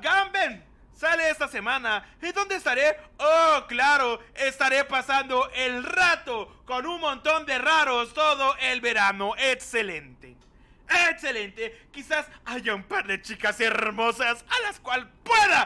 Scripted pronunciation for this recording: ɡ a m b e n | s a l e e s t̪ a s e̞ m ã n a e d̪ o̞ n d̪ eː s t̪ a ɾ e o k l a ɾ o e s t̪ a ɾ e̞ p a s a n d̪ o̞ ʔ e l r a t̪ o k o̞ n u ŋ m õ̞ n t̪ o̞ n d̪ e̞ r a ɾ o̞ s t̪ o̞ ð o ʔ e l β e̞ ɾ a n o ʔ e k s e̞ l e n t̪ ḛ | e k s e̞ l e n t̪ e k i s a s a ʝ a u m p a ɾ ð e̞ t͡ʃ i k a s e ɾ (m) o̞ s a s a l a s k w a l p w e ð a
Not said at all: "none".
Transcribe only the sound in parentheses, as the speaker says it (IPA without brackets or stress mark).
m